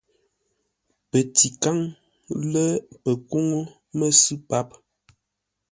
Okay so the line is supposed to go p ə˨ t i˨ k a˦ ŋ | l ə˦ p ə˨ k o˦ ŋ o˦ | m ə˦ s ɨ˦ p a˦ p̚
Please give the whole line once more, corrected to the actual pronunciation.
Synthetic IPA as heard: p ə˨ t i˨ k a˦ ŋ | l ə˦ p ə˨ k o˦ ŋ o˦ | m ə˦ s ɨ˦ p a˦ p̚